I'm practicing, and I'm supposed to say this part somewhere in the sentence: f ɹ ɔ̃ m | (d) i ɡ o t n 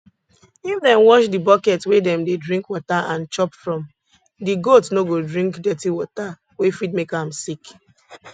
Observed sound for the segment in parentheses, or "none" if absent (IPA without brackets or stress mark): d